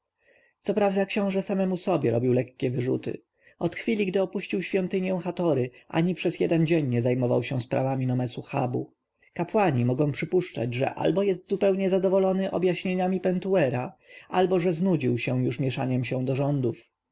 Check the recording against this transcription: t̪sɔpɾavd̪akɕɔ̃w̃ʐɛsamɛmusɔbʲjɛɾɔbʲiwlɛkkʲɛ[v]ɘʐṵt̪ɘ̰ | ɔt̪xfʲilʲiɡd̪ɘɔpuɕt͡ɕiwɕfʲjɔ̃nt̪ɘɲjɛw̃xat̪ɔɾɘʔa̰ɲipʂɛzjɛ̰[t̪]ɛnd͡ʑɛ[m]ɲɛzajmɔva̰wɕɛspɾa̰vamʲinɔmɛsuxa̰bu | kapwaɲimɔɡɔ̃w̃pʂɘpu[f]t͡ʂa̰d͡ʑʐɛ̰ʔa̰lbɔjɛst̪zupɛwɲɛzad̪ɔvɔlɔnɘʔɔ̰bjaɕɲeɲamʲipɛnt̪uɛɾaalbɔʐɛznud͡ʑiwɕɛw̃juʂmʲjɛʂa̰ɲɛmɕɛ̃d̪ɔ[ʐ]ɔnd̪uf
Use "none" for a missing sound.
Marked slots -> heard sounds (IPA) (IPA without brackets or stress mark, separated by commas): v, d̪, ɲ, ʂ, ʐ